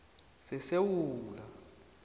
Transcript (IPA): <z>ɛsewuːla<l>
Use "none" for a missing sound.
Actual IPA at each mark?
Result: s, none

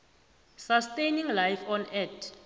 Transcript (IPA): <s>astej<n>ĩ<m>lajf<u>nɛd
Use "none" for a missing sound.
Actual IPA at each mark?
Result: s, n, ŋ, ɔ

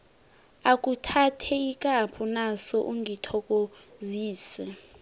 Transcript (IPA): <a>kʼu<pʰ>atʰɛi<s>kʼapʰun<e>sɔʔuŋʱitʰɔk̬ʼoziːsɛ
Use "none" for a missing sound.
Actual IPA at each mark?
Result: a, tʰ, none, a

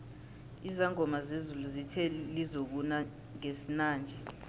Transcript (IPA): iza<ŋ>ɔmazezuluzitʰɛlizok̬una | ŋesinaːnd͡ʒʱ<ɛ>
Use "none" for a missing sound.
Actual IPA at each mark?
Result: ŋ, ɛ

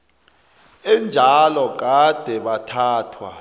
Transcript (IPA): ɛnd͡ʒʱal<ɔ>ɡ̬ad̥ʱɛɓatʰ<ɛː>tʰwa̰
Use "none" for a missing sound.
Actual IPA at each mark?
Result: ɔ, aː

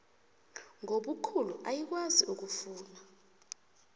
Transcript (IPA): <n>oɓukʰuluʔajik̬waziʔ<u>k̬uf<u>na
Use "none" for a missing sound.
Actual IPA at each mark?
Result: ŋ, u, uː

